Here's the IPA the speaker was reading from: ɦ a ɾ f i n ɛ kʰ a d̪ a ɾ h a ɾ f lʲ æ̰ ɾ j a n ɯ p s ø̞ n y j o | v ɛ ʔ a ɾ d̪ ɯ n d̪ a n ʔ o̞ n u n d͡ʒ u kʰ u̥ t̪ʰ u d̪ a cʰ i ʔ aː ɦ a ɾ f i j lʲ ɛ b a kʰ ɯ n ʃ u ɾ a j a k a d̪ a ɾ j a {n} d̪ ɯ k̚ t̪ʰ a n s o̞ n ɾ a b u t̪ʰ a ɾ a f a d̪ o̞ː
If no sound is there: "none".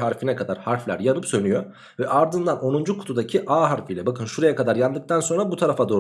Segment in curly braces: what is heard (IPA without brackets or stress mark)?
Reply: n